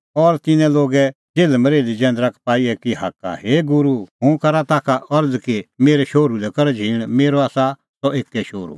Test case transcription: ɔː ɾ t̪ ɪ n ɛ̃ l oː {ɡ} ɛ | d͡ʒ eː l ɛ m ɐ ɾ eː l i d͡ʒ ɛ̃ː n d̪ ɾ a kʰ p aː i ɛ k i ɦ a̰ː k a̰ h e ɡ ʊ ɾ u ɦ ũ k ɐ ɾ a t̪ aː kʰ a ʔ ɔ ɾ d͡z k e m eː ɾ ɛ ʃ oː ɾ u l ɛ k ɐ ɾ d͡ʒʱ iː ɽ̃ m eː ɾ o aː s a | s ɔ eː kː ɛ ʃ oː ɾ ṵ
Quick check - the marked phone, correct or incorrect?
correct